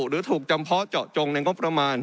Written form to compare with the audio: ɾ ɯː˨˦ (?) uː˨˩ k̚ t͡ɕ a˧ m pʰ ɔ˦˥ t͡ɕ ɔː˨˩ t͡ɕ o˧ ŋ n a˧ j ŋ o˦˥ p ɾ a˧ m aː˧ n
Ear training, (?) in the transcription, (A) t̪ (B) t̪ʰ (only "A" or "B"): B